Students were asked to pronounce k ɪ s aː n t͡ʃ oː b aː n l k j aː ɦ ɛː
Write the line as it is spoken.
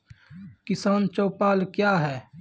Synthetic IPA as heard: k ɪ s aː n t͡ʃ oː p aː l k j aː ɦ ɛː

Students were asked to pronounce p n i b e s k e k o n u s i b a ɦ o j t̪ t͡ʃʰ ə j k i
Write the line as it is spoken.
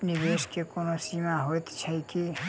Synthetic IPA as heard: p n i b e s k e k o n o s i m a ɦ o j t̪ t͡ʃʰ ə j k i

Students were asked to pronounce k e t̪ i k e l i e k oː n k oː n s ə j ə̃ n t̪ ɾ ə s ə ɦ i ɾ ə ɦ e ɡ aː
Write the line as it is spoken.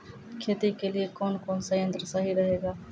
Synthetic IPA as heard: kʰ e t̪ i k e l i e k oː n k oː n s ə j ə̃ n t̪ ɾ ə s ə ɦ i ɾ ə ɦ e ɡ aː

